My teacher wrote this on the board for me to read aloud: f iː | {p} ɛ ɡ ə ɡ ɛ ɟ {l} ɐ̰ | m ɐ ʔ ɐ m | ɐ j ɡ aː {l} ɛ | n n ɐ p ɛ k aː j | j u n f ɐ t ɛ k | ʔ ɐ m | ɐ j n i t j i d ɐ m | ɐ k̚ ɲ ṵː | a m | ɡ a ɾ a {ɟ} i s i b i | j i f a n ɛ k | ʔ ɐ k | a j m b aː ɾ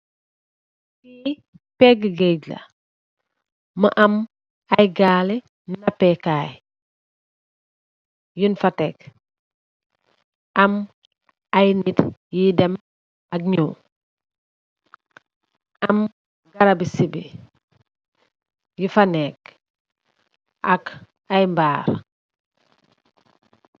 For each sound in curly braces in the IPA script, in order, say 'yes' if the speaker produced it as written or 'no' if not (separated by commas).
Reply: yes, yes, yes, no